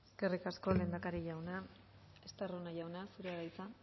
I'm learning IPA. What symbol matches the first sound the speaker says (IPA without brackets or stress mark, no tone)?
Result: e